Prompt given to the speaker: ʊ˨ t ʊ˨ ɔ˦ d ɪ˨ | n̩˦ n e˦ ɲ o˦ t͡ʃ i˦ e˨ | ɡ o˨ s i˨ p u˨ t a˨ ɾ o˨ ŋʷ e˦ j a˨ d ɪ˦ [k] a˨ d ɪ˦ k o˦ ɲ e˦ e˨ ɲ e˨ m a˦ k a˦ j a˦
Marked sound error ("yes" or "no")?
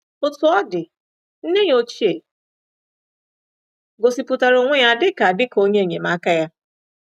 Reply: no